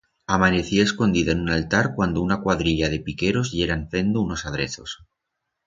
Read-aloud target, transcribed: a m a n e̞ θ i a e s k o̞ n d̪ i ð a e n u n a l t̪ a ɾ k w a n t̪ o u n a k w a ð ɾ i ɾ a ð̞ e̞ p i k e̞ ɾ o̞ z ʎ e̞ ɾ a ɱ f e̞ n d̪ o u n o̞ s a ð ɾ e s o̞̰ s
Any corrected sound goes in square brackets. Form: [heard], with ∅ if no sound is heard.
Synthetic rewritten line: a m a n e̞ θ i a e s k o̞ n d̪ i ð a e n u n a l t̪ a ɾ k w a n [d̪] o u n a k w a ð ɾ i [ʎ] a ð̞ e̞ p i k e̞ ɾ o̞ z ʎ e̞ ɾ a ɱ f e̞ n d̪ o u n o̞ s a ð ɾ e [θ] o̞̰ s